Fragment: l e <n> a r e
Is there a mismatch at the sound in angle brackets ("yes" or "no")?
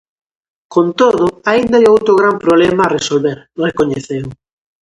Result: yes